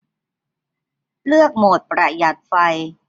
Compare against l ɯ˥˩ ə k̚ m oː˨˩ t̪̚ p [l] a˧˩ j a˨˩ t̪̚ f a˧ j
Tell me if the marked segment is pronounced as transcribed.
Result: no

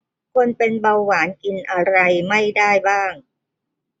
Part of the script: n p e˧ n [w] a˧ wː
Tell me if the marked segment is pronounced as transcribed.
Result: no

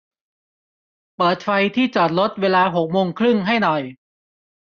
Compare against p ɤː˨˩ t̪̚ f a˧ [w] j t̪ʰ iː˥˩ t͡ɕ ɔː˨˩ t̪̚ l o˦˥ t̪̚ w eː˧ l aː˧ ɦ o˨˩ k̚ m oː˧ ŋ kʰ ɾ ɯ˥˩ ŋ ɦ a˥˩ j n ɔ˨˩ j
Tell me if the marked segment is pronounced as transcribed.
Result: no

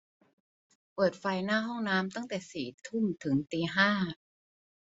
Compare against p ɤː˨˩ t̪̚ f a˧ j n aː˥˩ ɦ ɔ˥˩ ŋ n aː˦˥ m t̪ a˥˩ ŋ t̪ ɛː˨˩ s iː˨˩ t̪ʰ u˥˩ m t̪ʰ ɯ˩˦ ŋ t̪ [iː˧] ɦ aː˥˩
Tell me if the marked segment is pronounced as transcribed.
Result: yes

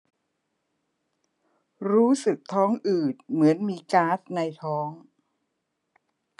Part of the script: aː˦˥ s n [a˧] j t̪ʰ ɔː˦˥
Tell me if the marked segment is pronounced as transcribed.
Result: yes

